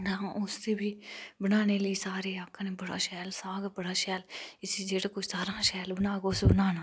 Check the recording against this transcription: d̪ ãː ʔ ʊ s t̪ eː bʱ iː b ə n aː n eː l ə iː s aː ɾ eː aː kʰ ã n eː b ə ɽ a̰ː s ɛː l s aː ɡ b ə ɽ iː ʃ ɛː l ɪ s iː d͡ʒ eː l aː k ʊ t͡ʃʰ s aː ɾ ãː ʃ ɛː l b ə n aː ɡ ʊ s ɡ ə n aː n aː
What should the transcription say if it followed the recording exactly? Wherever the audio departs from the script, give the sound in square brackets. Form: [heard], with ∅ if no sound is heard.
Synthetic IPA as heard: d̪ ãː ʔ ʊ s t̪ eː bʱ iː b ə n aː n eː l ə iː s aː ɾ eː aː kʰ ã n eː b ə ɽ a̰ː [ʃ] ɛː l s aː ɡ b ə ɽ [aː] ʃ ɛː l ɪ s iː d͡ʒ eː [ɽ] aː k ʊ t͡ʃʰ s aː ɾ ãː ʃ ɛː l b ə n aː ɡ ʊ s [b] ə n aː n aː